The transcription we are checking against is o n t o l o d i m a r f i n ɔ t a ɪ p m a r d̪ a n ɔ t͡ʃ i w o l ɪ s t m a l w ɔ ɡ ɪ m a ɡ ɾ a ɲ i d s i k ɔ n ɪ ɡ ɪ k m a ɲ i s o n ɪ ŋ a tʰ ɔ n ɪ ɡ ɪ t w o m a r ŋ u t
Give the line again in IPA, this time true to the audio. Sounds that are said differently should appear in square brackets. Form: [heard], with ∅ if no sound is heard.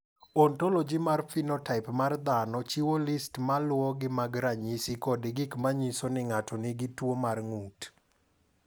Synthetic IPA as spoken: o n t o l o [d͡ʒ] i m a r f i n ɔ t a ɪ p m a r d̪ a n ɔ t͡ʃ i w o l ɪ s t m a l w ɔ ɡ ɪ m a ɡ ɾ a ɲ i [∅] s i k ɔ [d] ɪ ɡ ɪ k m a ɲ i s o n ɪ ŋ a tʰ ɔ n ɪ ɡ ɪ t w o m a r ŋ u t